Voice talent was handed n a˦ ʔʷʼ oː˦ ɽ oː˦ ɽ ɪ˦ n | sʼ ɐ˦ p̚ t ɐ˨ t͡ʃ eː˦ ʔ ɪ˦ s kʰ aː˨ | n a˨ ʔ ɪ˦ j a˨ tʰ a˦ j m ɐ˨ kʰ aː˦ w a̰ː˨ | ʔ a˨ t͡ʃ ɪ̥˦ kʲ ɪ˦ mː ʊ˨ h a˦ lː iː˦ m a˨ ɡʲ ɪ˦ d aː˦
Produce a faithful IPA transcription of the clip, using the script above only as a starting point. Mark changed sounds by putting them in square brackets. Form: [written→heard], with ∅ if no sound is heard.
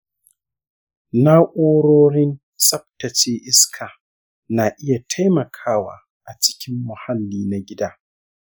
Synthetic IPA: n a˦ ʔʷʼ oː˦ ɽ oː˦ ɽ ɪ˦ n | sʼ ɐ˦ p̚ t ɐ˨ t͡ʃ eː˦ ʔ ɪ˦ s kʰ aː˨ | n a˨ ʔ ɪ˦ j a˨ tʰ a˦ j m ɐ˨ kʰ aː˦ w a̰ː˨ | ʔ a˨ t͡ʃ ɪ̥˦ kʲ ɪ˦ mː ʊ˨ h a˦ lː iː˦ [m→n] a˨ ɡʲ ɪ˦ d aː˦